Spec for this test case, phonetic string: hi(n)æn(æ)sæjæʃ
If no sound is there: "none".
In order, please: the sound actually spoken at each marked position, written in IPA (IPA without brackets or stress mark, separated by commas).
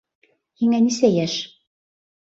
ŋ, i